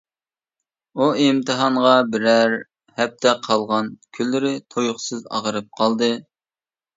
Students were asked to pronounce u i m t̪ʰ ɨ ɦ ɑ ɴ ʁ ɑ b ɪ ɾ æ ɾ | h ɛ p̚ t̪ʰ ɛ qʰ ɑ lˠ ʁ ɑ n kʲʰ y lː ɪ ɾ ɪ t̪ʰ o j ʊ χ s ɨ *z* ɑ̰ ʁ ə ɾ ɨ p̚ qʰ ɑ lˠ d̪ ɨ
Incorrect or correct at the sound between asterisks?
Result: correct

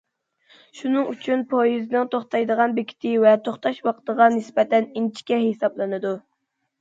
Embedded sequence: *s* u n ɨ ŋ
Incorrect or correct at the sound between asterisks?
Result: incorrect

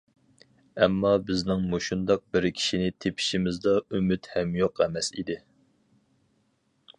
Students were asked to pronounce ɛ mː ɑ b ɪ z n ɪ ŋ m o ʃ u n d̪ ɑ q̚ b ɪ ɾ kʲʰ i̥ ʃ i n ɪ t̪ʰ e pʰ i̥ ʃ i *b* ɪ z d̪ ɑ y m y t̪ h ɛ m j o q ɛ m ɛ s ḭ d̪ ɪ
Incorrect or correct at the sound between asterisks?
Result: incorrect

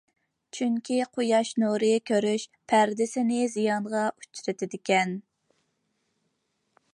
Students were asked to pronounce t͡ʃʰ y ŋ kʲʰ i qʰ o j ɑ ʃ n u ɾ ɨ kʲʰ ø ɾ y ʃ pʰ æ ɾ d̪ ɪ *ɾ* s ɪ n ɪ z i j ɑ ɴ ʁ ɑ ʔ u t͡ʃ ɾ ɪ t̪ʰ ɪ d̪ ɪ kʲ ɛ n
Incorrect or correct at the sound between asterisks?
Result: incorrect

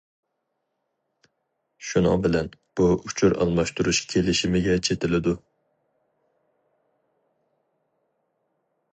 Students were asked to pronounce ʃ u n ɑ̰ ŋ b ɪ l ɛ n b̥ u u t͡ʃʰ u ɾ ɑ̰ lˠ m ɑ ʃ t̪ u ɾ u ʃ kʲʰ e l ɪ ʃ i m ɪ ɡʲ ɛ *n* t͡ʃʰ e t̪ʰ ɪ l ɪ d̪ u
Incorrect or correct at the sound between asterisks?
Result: incorrect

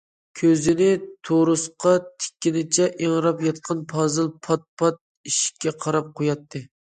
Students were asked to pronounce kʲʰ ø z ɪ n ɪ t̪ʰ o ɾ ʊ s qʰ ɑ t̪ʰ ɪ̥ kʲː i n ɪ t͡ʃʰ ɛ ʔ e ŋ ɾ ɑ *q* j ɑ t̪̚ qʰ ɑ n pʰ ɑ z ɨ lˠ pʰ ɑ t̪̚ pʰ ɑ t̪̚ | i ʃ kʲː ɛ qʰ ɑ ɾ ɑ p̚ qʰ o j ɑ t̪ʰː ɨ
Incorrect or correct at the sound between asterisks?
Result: incorrect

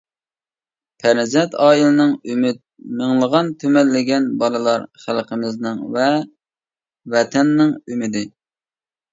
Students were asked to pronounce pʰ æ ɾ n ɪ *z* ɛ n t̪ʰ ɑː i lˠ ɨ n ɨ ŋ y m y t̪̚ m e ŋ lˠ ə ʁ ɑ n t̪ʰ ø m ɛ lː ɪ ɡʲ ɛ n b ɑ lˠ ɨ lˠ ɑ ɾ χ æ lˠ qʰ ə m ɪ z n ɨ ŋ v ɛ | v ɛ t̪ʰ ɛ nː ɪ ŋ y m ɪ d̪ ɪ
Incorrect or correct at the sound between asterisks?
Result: correct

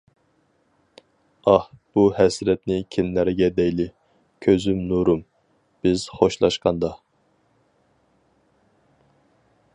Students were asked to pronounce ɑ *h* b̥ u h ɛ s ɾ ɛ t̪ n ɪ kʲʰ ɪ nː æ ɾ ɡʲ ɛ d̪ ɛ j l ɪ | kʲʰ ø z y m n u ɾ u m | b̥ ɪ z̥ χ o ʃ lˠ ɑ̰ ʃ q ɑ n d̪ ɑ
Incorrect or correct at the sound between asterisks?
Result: correct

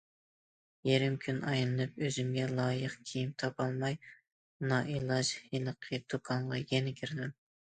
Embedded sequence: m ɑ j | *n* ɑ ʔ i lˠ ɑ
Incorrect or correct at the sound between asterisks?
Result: correct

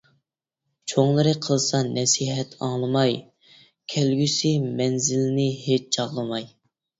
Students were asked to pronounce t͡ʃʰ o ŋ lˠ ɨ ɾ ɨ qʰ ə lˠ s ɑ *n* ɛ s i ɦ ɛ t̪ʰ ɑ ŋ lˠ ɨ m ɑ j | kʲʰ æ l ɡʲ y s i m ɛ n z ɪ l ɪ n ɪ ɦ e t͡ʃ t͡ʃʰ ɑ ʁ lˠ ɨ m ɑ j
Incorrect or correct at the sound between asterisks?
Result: correct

